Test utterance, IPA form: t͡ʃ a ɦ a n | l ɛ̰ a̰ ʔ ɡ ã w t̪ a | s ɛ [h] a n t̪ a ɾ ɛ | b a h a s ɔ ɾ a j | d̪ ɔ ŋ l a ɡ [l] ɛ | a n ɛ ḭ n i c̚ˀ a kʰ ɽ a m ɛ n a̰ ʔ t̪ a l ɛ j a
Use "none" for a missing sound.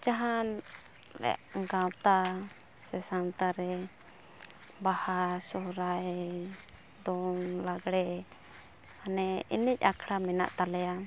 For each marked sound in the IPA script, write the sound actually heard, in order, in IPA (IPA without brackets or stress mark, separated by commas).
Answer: s, ɽ